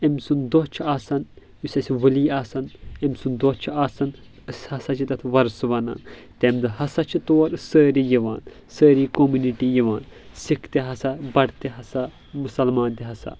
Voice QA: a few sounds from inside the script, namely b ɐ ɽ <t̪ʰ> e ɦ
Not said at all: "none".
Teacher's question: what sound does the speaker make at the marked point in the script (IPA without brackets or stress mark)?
t̪